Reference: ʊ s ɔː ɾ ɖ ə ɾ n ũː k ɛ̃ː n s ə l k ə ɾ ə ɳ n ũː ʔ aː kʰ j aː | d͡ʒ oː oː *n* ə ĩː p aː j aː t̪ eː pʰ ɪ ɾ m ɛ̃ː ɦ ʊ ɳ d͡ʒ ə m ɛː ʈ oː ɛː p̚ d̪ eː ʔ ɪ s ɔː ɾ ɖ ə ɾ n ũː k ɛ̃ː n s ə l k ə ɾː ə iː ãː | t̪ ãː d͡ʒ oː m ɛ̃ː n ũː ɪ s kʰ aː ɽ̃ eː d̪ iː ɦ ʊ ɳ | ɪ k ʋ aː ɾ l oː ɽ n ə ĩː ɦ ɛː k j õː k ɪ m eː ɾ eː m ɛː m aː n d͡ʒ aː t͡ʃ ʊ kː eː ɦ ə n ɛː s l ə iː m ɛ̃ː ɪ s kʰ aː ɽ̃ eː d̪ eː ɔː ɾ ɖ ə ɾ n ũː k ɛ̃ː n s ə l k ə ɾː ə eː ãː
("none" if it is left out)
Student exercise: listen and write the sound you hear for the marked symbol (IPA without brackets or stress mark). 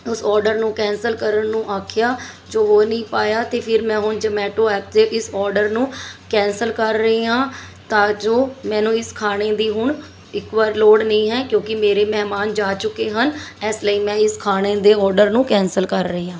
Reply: n